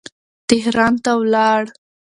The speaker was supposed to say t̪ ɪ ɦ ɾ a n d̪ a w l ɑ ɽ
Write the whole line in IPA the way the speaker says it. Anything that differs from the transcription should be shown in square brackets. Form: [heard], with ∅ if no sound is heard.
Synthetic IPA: t̪ ɪ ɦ ɾ [ɑ] n [t̪] a w l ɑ ɽ